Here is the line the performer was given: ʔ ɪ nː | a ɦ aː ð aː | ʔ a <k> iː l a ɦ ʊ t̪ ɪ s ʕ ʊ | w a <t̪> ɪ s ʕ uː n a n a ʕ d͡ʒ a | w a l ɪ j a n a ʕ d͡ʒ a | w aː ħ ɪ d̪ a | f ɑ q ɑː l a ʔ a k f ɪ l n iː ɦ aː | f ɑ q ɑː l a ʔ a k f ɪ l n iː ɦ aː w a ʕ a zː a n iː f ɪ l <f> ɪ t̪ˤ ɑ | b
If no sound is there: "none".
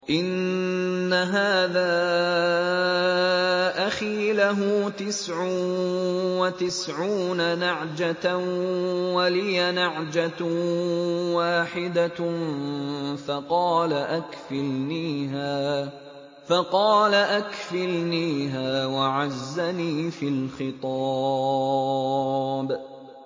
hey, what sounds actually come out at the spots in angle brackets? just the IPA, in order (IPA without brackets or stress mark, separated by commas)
x, t̪, x